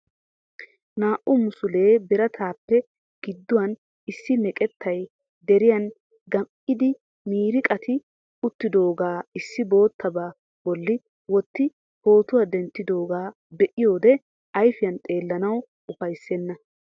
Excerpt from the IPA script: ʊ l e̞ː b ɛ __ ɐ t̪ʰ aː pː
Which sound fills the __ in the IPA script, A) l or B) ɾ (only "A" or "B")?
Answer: B